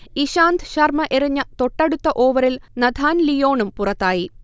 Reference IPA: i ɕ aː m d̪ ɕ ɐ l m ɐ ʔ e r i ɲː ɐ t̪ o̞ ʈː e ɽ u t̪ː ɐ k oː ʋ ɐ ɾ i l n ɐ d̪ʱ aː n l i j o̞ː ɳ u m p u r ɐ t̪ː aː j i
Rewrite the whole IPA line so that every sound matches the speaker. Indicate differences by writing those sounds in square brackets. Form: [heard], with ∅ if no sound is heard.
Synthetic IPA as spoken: i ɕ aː [n] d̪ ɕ ɐ [r] m ɐ ʔ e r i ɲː ɐ t̪ o̞ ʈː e ɽ u t̪ː ɐ [ʔ] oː ʋ ɐ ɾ i l n ɐ d̪ʱ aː n l i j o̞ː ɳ u m p u r ɐ t̪ː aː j i